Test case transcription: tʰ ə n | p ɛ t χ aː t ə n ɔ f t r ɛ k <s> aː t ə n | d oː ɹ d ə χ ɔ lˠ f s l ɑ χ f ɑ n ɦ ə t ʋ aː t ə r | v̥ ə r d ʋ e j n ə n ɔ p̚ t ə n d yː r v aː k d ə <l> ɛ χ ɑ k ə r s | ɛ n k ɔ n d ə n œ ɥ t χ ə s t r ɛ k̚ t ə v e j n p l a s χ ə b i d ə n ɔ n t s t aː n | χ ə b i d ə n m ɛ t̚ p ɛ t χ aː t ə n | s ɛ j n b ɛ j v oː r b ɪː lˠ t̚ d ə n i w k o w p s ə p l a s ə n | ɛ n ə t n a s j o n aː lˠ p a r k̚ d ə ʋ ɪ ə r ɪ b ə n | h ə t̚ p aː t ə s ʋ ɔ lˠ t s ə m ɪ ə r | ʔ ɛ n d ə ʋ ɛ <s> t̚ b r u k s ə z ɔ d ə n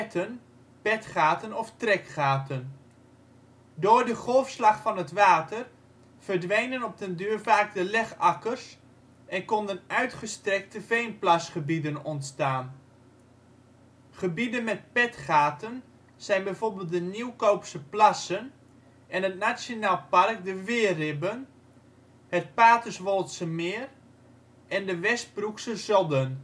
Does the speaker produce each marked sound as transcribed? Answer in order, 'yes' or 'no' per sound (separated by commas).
no, yes, yes